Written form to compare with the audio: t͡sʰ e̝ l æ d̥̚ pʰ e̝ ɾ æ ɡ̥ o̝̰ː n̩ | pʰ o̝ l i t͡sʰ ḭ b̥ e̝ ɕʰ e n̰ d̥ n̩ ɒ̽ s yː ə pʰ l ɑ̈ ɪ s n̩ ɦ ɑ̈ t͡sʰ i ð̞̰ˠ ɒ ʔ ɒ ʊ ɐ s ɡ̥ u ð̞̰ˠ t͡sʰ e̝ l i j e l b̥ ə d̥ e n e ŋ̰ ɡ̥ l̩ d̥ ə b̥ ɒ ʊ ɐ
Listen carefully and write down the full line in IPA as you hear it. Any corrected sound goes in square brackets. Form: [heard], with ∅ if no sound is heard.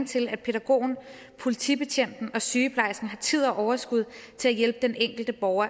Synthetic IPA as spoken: t͡sʰ e̝ l æ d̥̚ pʰ e̝ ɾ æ ɡ̥ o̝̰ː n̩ | pʰ o̝ l i t͡sʰ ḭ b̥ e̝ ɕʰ e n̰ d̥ n̩ ɒ̽ s yː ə pʰ l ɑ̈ ɪ s n̩ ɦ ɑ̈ t͡sʰ i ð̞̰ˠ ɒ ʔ ɒ ʊ ɐ s ɡ̥ u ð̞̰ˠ t͡sʰ e̝ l [æ] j e l b̥ ə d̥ e n e ŋ̰ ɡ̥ l̩ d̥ ə b̥ ɒ ʊ ɐ